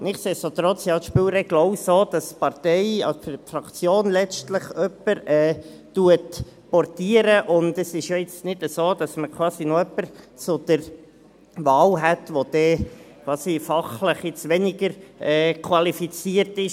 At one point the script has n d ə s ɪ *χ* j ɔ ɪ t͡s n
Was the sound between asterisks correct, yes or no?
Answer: no